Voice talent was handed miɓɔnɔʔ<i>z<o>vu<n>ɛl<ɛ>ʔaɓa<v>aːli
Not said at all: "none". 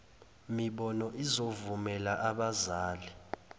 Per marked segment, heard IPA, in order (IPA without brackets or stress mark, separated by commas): i, o, m, a, z